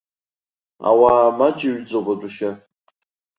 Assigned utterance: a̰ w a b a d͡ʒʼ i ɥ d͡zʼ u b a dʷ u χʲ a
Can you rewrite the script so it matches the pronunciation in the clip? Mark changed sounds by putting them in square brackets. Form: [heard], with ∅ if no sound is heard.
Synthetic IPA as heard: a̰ w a [m] a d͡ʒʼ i ɥ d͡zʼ [o] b a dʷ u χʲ a